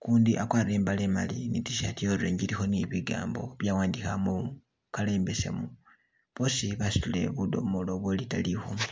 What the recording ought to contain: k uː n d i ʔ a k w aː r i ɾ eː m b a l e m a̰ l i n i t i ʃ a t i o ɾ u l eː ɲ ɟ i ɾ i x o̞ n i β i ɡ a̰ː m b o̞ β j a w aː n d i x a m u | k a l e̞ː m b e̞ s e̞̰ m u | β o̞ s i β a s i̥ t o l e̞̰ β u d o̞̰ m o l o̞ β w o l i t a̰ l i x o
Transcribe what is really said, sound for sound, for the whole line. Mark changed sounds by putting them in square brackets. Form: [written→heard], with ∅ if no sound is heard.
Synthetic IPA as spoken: k uː n d i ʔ a k w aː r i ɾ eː m b a l e m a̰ l i n i t i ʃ a t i o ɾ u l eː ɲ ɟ i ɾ i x o̞ n i β i ɡ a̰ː m b o̞ β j a w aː n d i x a m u | k a l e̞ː m b e̞ s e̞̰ m u | β o̞ s i β a s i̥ t [o→u] l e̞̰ β u d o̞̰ m o l o̞ β w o l i t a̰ l i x o